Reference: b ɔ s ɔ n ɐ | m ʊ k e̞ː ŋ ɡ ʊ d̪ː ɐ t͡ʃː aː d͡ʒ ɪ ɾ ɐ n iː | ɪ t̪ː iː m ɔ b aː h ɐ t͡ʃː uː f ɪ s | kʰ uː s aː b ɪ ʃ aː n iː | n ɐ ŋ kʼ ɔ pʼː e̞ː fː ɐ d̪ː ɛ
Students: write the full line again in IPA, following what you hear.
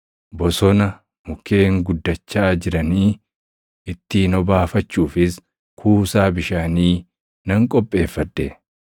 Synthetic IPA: b ɔ s ɔ n ɐ | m ʊ k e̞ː ŋ ɡ ʊ d̪ː ɐ t͡ʃː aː d͡ʒ ɪ ɾ ɐ n iː | ɪ t̪ː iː n ɔ b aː f ɐ t͡ʃː uː f ɪ s | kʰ uː s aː b ɪ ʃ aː n iː | n ɐ ŋ kʼ ɔ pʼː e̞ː fː ɐ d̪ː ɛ